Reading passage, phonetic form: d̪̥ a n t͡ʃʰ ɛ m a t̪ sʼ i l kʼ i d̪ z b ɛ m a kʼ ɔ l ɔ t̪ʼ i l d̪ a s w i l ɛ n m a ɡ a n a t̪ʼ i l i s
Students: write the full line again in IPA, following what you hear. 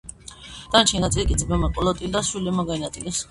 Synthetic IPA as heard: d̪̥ a n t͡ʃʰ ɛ n a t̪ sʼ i l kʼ i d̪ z b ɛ m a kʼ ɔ l ɔ t̪ʼ i l d̪ a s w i l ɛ m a ɡ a n a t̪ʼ i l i s